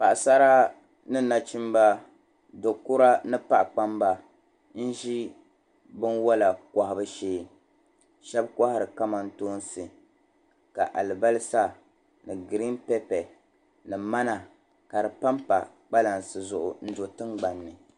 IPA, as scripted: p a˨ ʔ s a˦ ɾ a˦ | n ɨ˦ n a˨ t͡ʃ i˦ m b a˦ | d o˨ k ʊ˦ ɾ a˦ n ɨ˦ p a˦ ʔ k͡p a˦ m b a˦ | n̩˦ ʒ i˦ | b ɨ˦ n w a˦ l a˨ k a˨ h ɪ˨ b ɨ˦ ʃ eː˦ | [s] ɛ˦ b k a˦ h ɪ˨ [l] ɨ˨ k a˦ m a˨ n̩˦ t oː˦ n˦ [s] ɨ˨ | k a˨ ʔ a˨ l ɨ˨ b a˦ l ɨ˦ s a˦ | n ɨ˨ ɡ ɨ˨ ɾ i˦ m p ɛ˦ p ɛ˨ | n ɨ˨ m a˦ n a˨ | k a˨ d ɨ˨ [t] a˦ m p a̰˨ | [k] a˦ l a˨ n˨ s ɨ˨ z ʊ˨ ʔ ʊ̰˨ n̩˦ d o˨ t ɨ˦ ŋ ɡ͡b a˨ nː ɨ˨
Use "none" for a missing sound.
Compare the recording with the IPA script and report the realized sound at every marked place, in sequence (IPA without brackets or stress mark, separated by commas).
ʃ, ɾ, s, p, k͡p